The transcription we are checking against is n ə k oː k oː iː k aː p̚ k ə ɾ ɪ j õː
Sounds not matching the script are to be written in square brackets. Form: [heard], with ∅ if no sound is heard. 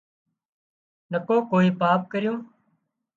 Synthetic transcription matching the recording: n ə k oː k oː iː [p] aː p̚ k ə ɾ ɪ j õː